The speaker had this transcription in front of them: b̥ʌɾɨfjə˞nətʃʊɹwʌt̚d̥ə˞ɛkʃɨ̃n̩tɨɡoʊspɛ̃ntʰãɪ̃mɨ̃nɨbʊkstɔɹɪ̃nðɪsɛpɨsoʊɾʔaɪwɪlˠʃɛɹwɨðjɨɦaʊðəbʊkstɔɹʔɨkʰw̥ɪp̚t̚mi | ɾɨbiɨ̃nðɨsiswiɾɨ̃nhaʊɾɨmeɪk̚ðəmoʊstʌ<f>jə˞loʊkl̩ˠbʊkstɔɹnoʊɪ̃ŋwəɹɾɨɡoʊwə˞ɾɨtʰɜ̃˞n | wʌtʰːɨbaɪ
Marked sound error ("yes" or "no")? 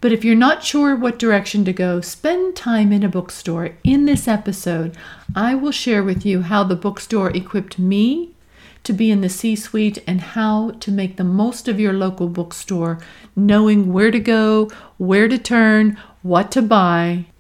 yes